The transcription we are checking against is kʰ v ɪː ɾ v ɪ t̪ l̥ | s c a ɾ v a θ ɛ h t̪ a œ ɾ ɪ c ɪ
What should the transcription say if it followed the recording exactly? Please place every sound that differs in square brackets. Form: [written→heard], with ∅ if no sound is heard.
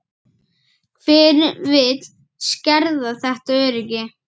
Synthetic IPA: kʰ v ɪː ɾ v ɪ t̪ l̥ | s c [a→ɛ] ɾ [v→ð] a θ ɛ h t̪ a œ ɾ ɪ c ɪ